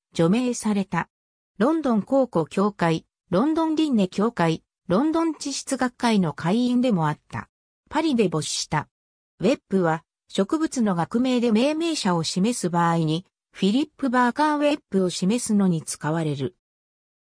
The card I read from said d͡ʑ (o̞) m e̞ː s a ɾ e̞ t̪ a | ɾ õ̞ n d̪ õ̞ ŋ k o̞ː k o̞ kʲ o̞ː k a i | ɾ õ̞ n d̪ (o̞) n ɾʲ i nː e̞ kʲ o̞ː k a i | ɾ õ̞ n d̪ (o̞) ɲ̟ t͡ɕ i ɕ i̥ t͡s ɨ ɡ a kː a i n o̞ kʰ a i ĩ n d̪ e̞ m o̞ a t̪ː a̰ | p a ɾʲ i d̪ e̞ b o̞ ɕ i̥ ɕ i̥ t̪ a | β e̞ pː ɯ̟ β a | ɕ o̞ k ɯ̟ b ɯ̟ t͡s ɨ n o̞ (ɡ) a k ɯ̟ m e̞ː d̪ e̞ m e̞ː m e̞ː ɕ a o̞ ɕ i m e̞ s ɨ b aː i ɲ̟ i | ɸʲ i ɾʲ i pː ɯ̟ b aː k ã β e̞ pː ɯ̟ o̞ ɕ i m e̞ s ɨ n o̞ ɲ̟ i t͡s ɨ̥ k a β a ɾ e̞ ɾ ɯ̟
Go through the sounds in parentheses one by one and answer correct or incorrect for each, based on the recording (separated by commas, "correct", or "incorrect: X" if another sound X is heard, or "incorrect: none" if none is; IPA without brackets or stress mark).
correct, incorrect: õ̞, incorrect: õ̞, correct